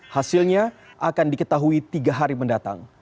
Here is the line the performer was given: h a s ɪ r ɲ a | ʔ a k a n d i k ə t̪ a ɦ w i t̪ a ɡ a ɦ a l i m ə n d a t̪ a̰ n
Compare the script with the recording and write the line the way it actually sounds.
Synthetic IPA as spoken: h a s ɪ l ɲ a | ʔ a k a n d i k ə t̪ a ɦ u i t̪ i ɡ a ɦ a ɾ i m ə n d a t̪ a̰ ŋ